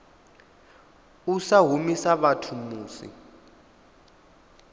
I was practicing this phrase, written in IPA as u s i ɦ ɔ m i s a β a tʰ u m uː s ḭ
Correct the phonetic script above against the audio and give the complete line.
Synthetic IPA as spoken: u s a ɦ u m i s a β a tʰ u m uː s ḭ